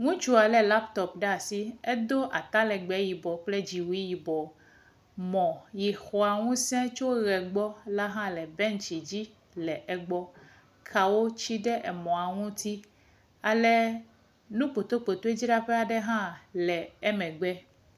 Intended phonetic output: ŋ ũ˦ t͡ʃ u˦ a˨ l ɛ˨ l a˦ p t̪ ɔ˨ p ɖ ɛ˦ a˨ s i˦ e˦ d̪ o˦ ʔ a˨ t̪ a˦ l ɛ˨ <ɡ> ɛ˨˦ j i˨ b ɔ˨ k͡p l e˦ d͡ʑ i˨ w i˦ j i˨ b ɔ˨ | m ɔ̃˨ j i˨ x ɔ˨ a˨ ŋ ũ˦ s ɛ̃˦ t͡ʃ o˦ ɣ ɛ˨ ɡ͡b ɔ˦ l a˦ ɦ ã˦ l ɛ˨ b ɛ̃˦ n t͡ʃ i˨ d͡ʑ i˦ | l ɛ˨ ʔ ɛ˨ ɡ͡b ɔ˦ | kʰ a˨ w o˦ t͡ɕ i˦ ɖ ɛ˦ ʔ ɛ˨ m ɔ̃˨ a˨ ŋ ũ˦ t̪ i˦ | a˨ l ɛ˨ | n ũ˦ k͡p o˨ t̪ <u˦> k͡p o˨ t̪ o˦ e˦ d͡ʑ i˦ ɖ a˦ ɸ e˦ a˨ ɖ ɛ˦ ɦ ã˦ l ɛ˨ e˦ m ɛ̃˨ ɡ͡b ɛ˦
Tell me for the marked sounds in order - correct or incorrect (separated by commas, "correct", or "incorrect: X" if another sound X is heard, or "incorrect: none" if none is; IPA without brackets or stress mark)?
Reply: incorrect: ɡ͡b, incorrect: o˦